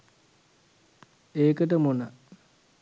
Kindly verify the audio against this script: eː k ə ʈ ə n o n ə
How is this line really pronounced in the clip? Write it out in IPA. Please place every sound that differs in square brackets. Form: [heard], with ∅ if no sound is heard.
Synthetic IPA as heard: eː k ə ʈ ə [m] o n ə